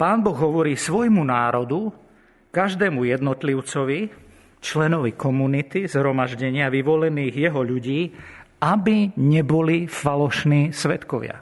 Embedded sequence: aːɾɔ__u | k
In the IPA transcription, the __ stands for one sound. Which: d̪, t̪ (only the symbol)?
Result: d̪